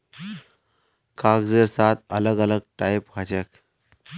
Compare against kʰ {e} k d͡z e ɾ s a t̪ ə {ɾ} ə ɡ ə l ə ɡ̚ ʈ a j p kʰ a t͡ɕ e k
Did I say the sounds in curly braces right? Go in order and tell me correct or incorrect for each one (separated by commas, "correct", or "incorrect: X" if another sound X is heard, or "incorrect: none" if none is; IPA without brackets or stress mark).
incorrect: a, incorrect: l